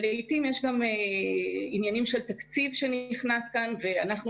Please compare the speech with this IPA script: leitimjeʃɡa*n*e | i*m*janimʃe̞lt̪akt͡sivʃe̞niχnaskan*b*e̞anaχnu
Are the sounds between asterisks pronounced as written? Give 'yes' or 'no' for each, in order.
no, no, no

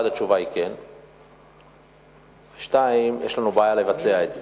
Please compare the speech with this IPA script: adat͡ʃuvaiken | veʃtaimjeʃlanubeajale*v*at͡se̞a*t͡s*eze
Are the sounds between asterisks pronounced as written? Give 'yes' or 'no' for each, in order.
yes, no

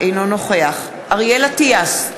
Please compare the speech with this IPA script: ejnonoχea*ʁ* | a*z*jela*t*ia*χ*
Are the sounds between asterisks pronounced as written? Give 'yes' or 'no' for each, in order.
no, no, yes, no

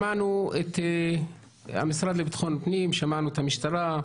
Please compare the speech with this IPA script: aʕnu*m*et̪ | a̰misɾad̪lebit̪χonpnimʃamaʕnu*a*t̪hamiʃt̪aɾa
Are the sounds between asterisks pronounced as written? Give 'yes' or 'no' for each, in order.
no, no

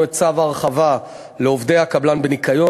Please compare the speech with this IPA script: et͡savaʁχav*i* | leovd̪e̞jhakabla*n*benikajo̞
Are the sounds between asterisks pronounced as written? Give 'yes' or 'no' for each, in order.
no, yes

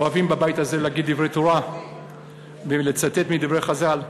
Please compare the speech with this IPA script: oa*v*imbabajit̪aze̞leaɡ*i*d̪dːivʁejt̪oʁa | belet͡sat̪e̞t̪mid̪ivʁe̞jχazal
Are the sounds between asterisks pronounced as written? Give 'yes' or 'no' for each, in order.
yes, yes

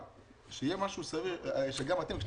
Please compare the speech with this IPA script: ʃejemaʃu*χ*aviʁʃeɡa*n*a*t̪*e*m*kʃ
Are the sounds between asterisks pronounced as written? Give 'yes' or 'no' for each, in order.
no, no, yes, yes

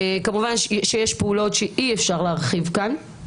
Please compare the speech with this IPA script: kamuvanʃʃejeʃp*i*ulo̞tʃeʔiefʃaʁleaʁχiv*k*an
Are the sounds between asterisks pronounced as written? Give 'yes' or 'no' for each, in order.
no, yes

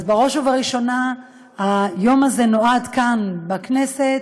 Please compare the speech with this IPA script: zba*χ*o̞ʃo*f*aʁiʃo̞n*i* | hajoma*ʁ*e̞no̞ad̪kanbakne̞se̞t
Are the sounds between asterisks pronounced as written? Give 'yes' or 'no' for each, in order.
no, no, no, no

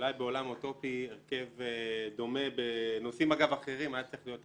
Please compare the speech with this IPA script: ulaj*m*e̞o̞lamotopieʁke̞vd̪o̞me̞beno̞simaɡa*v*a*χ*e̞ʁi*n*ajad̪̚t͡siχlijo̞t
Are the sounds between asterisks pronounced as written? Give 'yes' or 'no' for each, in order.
no, yes, yes, no

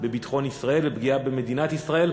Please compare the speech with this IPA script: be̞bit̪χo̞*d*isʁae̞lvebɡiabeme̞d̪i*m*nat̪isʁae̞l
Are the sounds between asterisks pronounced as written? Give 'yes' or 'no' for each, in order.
no, no

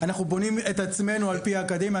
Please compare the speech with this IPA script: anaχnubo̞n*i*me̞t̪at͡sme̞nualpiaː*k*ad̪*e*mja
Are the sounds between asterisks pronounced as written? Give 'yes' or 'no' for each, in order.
yes, yes, yes

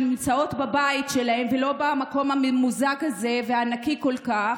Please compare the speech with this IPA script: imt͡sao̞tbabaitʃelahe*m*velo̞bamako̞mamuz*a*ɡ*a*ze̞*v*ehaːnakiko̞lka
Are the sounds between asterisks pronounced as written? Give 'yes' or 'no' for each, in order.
yes, yes, yes, yes

